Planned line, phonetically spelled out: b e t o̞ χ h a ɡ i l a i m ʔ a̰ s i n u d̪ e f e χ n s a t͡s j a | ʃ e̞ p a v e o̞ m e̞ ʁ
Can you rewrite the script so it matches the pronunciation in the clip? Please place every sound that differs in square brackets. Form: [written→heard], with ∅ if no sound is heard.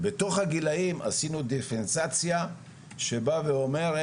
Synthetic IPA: b e t o̞ χ h a ɡ i l a i m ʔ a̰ s i n u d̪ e f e [χ→∅] n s a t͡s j a | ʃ e̞ [p→b] a v e o̞ m e̞ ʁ